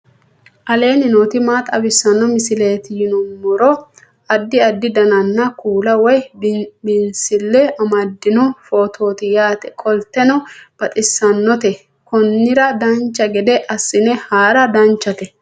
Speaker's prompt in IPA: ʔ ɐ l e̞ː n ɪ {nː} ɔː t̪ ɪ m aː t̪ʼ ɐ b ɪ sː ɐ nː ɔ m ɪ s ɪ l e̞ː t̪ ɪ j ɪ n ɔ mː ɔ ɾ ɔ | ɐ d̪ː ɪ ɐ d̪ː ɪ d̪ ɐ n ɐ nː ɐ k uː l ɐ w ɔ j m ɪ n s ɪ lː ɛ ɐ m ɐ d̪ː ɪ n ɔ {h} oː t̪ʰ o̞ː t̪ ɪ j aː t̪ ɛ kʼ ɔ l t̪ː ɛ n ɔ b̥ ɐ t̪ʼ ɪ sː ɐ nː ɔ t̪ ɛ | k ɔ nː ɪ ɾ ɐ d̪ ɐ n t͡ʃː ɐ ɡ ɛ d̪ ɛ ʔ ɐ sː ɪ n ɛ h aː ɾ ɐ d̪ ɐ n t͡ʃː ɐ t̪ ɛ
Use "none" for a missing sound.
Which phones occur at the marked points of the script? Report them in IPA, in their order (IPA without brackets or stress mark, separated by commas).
n, f